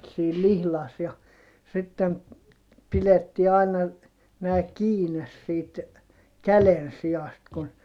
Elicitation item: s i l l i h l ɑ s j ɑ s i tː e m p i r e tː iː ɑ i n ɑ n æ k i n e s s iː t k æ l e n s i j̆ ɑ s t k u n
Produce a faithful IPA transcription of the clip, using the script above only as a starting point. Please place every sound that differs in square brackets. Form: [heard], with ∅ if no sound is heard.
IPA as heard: s [iː] l l i h l ɑ s j ɑ s i tː e m p i [l] e tː iː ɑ i n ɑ n [æː] k [iː] n e s s iː t k æ l e n s i j̆ ɑ s t k u n

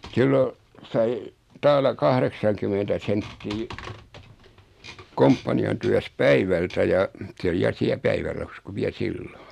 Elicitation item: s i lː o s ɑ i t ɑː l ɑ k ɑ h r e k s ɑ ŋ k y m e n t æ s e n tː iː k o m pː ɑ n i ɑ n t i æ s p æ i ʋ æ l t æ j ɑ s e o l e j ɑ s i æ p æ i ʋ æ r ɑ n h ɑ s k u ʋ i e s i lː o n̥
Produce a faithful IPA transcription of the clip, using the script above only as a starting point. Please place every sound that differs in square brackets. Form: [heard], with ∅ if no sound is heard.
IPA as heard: s i lː o s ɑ i t ɑː l ɑ k ɑ h r e k s ɑ ŋ k y m e n t æ s e n tː iː k o m pː ɑ n i ɑ n t [y] æ s p æ i ʋ æ l t æ j ɑ s e o l [i] j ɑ s i æ p æ i ʋ æ r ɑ [∅] h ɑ s k u ʋ i [æ] s i lː o n̥

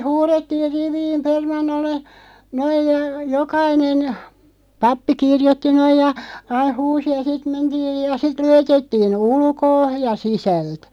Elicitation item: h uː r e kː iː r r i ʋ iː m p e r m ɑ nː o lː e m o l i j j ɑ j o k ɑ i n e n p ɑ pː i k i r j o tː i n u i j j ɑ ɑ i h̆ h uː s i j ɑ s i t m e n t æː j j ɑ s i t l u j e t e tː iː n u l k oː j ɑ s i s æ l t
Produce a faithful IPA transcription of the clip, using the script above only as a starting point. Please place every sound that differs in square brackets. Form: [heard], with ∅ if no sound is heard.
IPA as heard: h uː r e [tː] iː r r i ʋ iː m p e r m ɑ nː o lː e [n] o [∅] i j j ɑ j o k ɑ i n e n p ɑ pː i k i r j o tː i n [o] i j j ɑ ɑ i h̆ h uː s i j ɑ s i t m e n t [iː] j j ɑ s i t l u j e t e tː iː n u l k oː j ɑ s i s æ l t

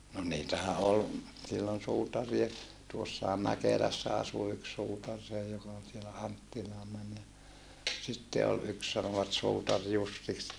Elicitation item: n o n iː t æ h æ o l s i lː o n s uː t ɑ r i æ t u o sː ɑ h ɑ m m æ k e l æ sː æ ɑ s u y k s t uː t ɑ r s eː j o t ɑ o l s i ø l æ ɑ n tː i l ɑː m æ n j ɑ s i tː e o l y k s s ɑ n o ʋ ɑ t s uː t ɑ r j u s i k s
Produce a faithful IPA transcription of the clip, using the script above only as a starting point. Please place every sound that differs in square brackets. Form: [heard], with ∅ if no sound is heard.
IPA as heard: n o n iː t æ h æ o l s i lː o n s uː t ɑ r i [e] t u o sː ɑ h ɑ m m æ k e l æ sː æ ɑ s u y k s [s] uː t ɑ r s eː j o [k] ɑ o l s i [e] l æ ɑ n tː i l ɑː m æ n j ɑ s i tː e o l y k s s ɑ n o ʋ ɑ t s uː t ɑ r j u [sː] i k s

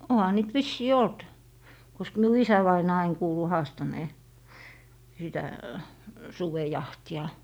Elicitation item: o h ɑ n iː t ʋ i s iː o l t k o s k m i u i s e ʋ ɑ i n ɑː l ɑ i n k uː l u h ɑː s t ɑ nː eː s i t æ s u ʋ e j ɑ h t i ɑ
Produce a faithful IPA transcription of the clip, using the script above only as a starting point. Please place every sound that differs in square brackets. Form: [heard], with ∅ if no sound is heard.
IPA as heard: o h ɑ n iː t ʋ i [sː] iː o l t k o s k m i u i s [æ] ʋ ɑ i n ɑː [∅] ɑ i n k uː l u h ɑː s t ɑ [n] eː s i t æ s u ʋ e j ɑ h t i ɑ

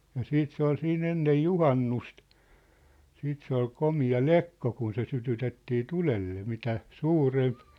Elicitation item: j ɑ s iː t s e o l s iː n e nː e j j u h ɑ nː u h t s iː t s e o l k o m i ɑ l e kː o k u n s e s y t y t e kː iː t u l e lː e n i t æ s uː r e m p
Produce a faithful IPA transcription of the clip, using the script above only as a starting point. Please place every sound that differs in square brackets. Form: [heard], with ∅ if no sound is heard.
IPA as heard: j ɑ s iː t s e o l s iː n e nː e j j u h ɑ nː u [s] t s iː t s e o l k o m i ɑ l e kː o k u n s e s y t y t e [tː] iː t u l e lː e [m] i t æ s uː r e m p

